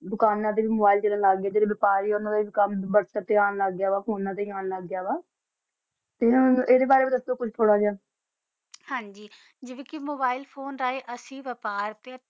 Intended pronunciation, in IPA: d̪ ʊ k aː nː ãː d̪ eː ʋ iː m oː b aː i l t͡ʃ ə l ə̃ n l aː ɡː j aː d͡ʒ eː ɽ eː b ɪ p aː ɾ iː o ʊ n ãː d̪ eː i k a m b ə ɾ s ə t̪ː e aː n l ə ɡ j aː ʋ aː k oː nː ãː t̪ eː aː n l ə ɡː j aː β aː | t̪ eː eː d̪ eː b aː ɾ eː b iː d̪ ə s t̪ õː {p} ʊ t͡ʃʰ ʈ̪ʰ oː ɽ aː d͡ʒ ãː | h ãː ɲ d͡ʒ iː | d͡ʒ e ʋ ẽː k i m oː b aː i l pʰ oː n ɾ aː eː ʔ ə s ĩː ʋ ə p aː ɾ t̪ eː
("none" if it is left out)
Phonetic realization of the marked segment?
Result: k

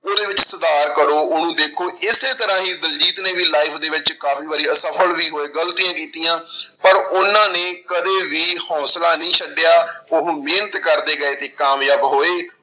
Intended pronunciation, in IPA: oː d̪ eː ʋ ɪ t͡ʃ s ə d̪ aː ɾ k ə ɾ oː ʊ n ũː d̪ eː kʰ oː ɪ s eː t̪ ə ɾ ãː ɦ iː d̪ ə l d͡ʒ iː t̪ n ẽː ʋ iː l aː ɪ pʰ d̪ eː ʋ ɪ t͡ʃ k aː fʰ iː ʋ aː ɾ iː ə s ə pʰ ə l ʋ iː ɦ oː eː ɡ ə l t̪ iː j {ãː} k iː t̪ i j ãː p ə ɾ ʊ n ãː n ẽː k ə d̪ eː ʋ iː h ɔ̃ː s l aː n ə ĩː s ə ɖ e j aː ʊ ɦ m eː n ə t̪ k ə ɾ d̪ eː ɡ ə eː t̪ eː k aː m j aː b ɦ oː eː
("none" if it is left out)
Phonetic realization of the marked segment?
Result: ãː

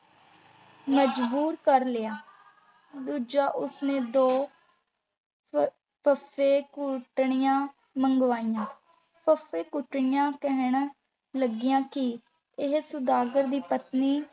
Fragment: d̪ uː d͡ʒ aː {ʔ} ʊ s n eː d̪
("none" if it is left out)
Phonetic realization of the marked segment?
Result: ʔ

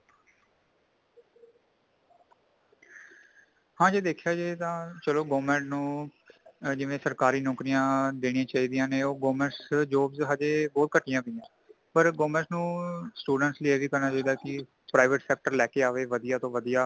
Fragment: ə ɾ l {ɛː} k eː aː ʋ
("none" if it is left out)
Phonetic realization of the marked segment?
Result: ɛː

